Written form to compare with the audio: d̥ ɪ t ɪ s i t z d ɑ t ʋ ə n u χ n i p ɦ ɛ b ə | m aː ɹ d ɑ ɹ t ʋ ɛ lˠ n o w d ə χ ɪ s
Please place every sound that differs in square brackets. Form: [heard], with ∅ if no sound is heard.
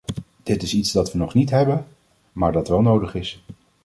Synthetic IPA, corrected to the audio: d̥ ɪ t ɪ s i t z d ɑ t ʋ ə n [ɔ] χ n i [t] ɦ ɛ b ə | m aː ɹ d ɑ [∅] t ʋ ɛ lˠ n o w d ə χ ɪ s